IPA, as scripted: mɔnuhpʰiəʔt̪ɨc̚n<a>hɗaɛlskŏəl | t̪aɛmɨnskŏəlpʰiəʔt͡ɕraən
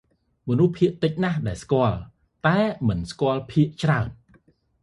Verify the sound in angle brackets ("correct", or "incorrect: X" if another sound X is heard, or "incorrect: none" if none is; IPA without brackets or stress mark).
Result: correct